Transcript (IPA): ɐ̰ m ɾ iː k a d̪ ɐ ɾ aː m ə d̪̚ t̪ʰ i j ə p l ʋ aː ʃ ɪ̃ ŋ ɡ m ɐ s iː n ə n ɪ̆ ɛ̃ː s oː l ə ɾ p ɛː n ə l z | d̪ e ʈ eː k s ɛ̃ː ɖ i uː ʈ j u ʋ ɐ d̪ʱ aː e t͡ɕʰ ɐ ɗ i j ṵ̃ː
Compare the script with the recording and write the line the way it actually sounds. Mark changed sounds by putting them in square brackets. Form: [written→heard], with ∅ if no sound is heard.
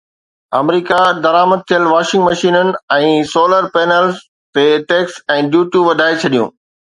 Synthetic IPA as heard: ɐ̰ m ɾ iː k a d̪ ɐ ɾ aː m ə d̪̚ t̪ʰ i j ə [p→∅] l ʋ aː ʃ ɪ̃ ŋ ɡ m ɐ [s→ʃ] iː n ə n ɪ̆ ɛ̃ː s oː l ə ɾ p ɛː n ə l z | [d̪→t̪] e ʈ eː k s ɛ̃ː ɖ [i→j] uː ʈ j u ʋ ɐ d̪ʱ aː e t͡ɕʰ ɐ ɗ i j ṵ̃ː

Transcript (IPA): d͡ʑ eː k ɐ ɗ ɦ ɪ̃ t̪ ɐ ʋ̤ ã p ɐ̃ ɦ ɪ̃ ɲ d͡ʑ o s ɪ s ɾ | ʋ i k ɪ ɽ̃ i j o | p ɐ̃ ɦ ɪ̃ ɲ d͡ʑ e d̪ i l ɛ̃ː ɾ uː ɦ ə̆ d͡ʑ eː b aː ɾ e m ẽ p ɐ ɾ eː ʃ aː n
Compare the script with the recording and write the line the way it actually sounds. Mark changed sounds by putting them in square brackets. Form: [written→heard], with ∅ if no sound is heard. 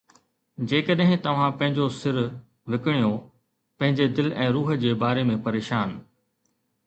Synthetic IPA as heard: d͡ʑ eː k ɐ ɗ ɦ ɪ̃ t̪ ɐ ʋ̤ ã p ɐ̃ ɦ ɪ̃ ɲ d͡ʑ o s ɪ [s→∅] ɾ | ʋ [i→ɪ] k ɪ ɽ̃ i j o | p ɐ̃ ɦ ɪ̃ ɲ d͡ʑ e d̪ [i→ɪ] l ɛ̃ː ɾ uː ɦ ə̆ d͡ʑ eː b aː ɾ e m ẽ p ɐ ɾ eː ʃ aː n

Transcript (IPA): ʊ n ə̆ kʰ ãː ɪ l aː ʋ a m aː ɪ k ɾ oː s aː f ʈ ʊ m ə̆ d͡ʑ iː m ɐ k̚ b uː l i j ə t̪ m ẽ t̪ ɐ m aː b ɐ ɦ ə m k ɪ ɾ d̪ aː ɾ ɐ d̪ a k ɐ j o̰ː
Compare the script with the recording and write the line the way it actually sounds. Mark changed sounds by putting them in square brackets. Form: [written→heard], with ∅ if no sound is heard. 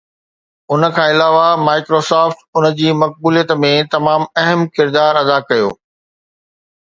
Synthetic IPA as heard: ʊ n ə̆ kʰ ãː ɪ l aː ʋ a m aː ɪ k ɾ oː s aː f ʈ ʊ [m→n] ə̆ d͡ʑ iː m ɐ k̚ b uː l i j ə t̪ m ẽ t̪ ɐ m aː [b→m] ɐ ɦ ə m k ɪ ɾ d̪ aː ɾ ɐ d̪ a k ɐ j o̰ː

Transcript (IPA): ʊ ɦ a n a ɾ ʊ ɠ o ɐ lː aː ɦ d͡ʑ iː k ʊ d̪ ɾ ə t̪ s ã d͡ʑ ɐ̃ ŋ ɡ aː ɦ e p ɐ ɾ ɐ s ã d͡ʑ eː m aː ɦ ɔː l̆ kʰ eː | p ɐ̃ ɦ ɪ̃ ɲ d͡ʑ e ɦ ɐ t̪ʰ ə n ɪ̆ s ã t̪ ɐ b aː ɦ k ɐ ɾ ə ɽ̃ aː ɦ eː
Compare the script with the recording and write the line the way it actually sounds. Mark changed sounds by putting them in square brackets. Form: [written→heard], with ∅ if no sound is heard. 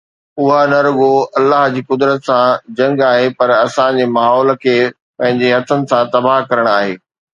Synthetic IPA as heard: ʊ ɦ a n [a→ɐ] ɾ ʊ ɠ o ɐ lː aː ɦ d͡ʑ iː k ʊ d̪ ɾ ə t̪ s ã d͡ʑ ɐ̃ ŋ ɡ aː ɦ e p ɐ ɾ ɐ s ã d͡ʑ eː m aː ɦ ɔː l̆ kʰ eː | p ɐ̃ ɦ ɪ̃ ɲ d͡ʑ e ɦ ɐ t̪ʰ ə n ɪ̆ s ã t̪ ɐ b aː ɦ k ɐ ɾ ə ɽ̃ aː ɦ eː

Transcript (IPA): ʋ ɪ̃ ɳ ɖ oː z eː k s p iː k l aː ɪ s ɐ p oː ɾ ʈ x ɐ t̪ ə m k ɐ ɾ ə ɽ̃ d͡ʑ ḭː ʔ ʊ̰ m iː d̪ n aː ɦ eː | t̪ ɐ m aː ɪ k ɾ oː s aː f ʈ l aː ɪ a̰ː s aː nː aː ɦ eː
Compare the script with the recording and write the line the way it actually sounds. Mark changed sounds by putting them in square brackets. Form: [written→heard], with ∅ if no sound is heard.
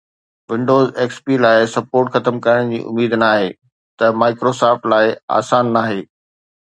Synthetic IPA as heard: ʋ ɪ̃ ɳ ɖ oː z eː k s p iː [k→∅] l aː ɪ s ɐ p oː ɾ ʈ x ɐ t̪ ə m k ɐ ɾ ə ɽ̃ d͡ʑ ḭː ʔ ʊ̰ m iː d̪ n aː ɦ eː | t̪ ɐ m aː ɪ k ɾ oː s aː f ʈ l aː ɪ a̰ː s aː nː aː ɦ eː

